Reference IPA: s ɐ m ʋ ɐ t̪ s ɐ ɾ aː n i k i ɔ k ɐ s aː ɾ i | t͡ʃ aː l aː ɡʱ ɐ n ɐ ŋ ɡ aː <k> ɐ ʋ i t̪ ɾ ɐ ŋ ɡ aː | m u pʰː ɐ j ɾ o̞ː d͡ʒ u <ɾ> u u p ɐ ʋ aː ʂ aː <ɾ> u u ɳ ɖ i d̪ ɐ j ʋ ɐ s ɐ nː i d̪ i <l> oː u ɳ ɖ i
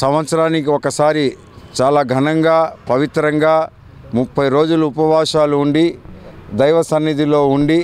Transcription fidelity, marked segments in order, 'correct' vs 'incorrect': incorrect: p, incorrect: l, incorrect: l, correct

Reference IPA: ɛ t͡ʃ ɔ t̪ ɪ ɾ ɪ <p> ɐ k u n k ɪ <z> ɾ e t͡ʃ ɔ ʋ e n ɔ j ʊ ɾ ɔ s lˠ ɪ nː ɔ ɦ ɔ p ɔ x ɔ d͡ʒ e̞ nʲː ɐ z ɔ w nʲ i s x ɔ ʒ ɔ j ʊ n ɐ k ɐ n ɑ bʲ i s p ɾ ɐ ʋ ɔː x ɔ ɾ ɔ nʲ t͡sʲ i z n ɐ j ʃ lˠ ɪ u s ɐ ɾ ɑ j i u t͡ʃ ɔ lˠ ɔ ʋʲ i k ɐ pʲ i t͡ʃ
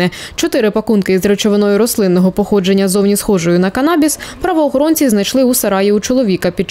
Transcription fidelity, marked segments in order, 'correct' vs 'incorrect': correct, correct

